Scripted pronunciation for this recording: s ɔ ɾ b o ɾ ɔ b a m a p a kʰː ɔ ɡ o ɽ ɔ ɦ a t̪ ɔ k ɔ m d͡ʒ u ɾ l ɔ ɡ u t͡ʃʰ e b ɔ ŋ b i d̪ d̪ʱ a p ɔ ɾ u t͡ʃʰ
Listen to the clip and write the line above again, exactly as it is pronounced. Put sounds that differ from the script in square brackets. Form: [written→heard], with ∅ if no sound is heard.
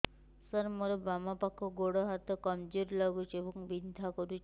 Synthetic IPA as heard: s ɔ ɾ [b→m] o ɾ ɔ b a m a p a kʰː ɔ ɡ o ɽ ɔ ɦ a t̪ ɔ k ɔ m d͡ʒ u ɾ l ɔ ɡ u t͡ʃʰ e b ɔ ŋ b i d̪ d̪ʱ a [p→k] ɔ ɾ u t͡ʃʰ